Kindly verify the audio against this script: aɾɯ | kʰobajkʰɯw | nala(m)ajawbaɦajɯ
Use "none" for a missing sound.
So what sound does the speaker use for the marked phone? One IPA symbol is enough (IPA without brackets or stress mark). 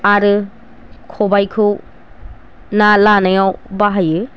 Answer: n